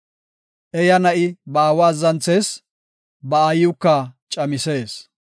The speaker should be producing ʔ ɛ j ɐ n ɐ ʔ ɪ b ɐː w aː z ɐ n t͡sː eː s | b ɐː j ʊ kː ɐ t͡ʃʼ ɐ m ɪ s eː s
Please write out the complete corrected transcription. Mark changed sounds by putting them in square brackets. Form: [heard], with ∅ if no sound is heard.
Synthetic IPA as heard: ʔ ɛ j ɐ n ɐ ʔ ɪ b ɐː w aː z ɐ n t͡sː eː s | b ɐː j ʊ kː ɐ t͡ʃʼ ɐ m ɪ s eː s